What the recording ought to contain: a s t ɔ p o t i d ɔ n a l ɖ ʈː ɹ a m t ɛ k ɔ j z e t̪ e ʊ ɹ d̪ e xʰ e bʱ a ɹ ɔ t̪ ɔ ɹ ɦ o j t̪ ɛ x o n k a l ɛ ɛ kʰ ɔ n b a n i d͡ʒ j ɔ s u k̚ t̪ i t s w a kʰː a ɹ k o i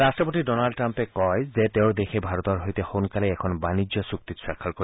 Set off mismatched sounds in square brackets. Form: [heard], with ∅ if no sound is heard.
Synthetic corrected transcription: a s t ɔ p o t i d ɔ n a l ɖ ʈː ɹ a m [p] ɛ k ɔ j z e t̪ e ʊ ɹ d̪ e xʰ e bʱ a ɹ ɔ t̪ ɔ ɹ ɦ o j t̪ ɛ x o n k a l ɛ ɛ kʰ ɔ n b a n i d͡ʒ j ɔ s u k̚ t̪ i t s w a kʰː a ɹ k o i